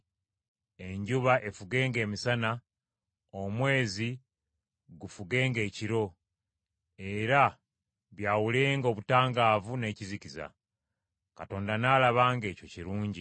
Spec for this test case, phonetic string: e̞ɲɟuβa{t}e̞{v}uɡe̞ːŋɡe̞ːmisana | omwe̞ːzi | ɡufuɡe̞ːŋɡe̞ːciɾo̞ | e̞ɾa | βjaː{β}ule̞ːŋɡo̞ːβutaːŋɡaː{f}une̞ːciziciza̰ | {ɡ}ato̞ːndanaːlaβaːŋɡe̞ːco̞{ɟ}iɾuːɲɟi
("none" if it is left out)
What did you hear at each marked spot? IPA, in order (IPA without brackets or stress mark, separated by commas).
ʔ, f, w, v, k, c